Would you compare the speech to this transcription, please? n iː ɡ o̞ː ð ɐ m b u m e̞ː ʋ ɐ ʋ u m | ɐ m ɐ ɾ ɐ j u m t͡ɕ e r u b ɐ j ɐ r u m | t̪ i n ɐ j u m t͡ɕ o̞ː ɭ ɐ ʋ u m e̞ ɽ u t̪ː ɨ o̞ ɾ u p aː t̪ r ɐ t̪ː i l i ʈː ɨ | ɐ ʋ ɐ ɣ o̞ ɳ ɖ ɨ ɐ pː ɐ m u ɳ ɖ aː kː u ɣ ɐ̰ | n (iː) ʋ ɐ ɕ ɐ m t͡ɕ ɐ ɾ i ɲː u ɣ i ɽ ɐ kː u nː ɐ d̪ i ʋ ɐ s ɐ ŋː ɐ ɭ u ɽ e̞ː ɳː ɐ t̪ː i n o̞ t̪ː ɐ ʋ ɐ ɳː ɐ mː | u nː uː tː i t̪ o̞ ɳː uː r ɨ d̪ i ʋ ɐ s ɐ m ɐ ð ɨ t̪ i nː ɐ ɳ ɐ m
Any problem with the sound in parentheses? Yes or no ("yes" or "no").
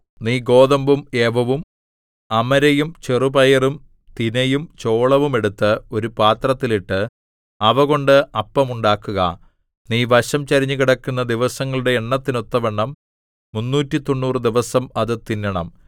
no